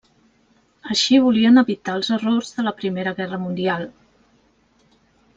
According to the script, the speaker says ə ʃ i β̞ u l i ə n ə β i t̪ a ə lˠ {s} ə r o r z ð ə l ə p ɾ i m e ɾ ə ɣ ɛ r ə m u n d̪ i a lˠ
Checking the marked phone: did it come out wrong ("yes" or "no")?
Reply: yes